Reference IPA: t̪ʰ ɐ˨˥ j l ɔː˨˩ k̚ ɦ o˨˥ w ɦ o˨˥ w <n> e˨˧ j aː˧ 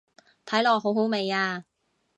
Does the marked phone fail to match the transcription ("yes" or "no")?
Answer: yes